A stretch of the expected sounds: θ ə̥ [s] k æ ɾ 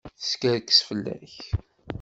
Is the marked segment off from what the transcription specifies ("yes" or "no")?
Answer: no